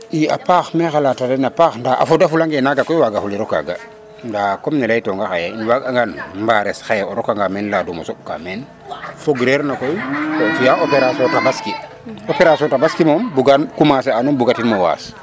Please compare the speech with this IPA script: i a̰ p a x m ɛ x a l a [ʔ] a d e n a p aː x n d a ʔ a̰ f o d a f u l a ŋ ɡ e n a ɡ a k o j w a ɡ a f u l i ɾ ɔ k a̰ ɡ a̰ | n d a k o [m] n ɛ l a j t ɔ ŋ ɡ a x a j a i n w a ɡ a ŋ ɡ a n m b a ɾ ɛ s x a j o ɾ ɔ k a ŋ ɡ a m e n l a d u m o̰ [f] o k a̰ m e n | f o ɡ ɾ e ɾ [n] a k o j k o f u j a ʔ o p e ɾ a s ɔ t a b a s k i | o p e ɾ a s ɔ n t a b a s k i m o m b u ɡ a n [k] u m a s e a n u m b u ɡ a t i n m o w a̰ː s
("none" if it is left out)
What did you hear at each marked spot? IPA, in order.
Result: t, m, s, n, k

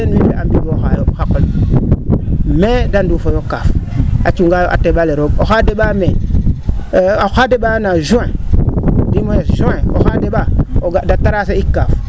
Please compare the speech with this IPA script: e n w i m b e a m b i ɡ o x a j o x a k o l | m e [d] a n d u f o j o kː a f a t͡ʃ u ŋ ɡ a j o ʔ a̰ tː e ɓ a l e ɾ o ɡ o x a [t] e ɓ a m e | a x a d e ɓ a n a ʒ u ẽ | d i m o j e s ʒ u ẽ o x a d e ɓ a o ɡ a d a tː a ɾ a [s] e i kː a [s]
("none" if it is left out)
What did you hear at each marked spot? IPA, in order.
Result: d, d, s, f

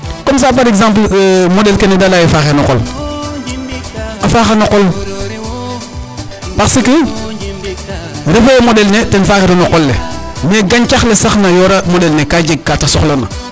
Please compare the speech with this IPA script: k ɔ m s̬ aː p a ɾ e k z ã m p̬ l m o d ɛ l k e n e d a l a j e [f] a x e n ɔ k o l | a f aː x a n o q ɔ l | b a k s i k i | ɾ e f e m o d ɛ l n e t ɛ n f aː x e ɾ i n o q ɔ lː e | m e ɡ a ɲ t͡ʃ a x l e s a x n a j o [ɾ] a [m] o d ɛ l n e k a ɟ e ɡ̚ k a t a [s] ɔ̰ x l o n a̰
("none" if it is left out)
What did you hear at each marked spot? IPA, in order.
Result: f, ɾ, m, s

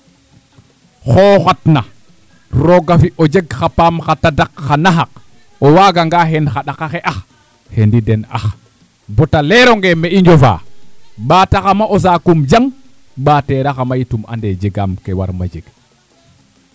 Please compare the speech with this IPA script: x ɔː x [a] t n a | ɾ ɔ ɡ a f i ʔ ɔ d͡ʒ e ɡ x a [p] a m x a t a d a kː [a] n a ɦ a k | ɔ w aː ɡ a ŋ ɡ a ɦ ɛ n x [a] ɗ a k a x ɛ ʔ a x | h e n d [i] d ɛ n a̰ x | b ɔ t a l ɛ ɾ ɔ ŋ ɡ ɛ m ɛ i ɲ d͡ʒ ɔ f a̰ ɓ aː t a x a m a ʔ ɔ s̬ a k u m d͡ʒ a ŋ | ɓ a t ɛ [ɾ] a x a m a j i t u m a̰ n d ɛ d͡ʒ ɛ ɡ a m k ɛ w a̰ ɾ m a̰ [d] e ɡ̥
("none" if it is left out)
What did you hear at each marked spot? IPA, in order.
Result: a, p, a, a, i, ɾ, d͡ʒ

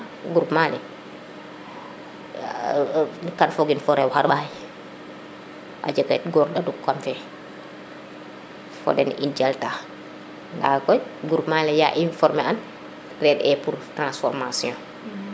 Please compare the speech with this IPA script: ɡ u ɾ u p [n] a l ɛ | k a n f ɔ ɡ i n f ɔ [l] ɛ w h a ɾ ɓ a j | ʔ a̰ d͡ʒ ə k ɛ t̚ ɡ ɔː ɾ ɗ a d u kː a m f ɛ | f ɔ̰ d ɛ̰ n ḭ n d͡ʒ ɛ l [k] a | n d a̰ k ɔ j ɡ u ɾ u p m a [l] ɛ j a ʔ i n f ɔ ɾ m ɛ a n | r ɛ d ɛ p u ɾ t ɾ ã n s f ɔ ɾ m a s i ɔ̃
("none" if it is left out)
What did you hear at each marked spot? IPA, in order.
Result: m, ɾ, t, l

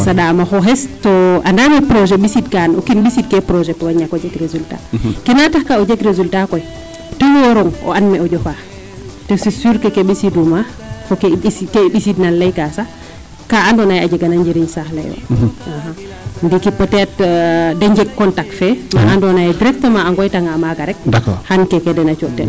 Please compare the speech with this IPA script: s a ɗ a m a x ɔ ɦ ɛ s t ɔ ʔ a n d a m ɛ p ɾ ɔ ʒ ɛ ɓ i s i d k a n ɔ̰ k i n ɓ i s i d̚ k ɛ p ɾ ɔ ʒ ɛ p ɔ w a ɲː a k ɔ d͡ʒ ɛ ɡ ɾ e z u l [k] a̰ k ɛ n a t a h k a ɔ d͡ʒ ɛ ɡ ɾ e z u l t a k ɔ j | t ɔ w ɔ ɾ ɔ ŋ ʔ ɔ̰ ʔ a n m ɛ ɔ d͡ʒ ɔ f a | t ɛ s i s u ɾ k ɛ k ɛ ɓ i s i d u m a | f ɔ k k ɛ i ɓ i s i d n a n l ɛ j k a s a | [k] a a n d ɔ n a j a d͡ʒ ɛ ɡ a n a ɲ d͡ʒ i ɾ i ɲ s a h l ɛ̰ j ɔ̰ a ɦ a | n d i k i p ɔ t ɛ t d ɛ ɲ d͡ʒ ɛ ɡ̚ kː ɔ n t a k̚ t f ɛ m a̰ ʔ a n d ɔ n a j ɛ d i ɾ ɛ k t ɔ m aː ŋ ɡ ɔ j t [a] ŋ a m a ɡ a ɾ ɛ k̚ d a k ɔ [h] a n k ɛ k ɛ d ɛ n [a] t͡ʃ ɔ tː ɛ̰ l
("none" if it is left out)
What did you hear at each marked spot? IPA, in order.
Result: t, k, a, h, a

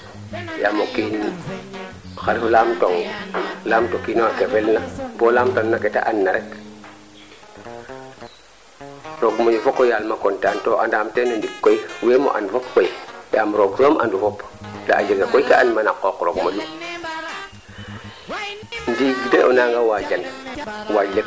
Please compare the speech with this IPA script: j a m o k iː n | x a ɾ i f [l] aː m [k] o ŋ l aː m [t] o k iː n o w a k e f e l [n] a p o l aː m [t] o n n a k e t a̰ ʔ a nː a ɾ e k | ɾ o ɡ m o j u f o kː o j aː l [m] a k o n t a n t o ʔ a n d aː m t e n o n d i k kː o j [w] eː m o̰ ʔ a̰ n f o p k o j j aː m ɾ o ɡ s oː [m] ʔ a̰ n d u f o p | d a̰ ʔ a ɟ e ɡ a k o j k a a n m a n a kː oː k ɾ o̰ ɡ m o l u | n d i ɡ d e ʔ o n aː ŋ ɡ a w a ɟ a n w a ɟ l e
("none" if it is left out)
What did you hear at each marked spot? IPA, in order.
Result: l, t, t, n, t, m, w, m

